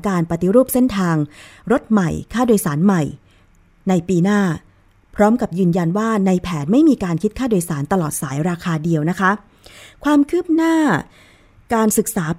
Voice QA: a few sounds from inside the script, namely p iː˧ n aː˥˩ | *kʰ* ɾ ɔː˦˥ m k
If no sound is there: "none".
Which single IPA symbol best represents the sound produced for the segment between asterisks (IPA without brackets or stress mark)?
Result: pʰ